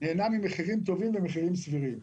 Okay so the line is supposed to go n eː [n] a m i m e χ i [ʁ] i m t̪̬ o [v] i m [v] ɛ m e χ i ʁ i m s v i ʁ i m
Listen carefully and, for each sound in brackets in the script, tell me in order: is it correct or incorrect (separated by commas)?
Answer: correct, correct, correct, correct